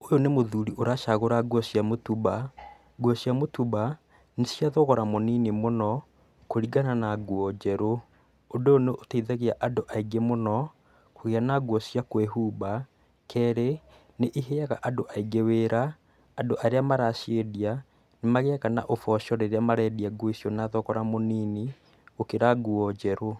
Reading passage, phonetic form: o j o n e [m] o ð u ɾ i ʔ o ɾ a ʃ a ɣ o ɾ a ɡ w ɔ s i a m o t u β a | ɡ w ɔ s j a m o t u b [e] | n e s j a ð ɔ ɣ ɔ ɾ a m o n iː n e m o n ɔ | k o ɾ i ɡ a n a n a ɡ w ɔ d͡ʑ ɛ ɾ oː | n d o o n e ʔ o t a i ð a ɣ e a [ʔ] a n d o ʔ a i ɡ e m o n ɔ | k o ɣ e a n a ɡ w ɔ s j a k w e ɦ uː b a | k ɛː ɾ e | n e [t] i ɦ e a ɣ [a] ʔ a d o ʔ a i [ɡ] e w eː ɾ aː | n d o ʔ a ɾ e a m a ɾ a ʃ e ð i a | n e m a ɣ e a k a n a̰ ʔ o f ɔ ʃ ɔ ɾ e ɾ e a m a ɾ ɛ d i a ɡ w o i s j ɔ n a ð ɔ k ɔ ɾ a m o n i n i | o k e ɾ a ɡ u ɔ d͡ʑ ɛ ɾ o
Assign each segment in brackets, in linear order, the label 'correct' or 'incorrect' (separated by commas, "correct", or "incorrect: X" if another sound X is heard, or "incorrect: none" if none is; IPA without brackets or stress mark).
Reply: correct, incorrect: a, correct, incorrect: ʔ, correct, correct